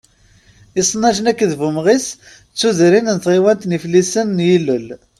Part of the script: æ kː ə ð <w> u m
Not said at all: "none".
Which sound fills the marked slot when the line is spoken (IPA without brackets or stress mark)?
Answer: v